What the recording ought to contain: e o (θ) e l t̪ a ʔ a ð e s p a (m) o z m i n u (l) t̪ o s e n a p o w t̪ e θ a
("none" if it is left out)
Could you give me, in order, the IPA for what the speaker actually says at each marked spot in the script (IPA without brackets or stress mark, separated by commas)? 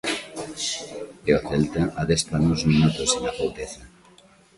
θ, n, none